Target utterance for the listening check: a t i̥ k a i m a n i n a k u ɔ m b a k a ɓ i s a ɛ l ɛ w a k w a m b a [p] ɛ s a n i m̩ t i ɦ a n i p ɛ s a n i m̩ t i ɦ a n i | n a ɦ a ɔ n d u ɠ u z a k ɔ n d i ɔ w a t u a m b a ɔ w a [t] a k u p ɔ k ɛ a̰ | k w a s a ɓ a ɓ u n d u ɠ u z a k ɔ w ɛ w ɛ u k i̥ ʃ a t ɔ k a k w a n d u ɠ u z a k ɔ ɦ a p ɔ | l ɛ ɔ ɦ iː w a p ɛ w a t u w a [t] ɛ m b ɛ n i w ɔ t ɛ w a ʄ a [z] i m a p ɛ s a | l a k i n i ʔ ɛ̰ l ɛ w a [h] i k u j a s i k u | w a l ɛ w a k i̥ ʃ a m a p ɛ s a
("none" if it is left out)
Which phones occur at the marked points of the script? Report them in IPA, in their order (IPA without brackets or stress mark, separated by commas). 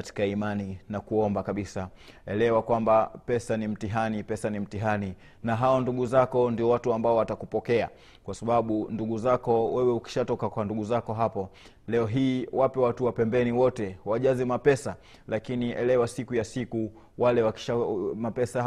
p, t, p, z, s